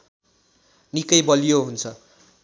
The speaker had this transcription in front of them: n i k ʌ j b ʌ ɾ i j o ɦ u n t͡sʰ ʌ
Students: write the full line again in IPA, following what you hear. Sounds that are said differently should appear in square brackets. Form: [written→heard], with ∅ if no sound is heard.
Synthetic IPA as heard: n i k ʌ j b ʌ [ɾ→l] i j o ɦ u n t͡sʰ ʌ